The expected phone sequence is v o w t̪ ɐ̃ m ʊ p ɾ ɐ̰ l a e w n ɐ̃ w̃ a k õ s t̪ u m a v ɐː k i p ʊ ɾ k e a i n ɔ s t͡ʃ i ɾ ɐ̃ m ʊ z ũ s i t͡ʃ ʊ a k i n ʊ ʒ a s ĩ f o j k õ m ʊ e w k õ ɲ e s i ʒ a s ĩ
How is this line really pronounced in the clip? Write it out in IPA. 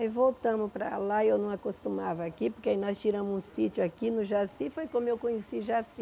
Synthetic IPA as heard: v o w t̪ ɐ̃ m ʊ p ɾ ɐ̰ l a e w n ɐ̃ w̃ a k o s t̪ u m a v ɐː k i p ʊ ɾ k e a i n ɔ s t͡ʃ i ɾ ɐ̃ m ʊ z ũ s i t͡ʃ ʊ a k i n ʊ ʒ a s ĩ f o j k õ m ʊ e w k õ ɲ e s i ʒ a s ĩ